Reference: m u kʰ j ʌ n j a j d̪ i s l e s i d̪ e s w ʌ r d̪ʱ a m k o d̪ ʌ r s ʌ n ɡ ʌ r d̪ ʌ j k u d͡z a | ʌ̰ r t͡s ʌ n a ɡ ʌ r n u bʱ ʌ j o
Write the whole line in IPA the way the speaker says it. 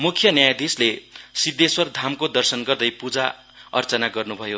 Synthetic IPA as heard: m u kʰ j ʌ n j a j d̪ i s l e s i d̪ e s w ʌ r d̪ʱ a m k o d̪ ʌ r s ʌ n ɡ ʌ r d̪ ʌ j p u d͡z a | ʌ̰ r t͡s ʌ n a ɡ ʌ r n u bʱ ʌ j o